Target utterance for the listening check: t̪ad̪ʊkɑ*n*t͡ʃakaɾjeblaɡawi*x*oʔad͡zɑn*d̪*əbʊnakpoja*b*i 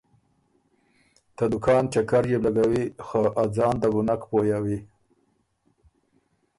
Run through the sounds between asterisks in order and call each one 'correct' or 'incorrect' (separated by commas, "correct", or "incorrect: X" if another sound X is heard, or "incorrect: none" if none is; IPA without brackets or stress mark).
correct, correct, correct, incorrect: w